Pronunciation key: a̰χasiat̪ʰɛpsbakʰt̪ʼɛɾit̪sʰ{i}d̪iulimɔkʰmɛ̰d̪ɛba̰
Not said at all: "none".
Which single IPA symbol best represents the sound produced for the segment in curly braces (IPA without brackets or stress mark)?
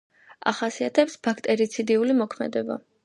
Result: i